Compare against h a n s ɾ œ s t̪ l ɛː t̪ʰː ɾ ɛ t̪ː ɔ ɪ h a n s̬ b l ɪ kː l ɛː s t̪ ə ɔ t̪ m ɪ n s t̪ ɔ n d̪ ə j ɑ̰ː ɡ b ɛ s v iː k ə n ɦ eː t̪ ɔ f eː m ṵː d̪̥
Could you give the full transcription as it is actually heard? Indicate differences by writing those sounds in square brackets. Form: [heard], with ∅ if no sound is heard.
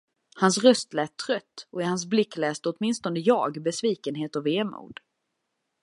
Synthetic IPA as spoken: h a n s ɾ œ s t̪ l ɛː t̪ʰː ɾ [œ] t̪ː ɔ ɪ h a n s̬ b l ɪ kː l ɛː s t̪ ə ɔ t̪ m ɪ n s t̪ ɔ n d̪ ə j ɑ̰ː ɡ b ɛ s v iː k ə n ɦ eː t̪ ɔ [v] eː m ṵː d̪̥

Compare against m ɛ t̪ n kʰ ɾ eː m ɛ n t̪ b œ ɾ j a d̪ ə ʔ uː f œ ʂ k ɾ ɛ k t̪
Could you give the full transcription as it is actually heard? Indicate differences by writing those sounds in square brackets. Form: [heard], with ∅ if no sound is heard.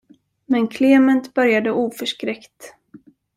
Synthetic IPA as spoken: m ɛ [∅] n kʰ [l] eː m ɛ n t̪ b œ ɾ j a d̪ ə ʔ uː f œ ʂ k ɾ ɛ k t̪

